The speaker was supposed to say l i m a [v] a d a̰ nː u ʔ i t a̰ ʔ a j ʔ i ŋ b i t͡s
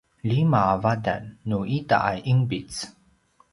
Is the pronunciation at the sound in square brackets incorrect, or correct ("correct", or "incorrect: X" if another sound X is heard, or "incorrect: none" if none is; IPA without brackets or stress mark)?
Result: correct